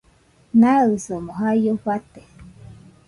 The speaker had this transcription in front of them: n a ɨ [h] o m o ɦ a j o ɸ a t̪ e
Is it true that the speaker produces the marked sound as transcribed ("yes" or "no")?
no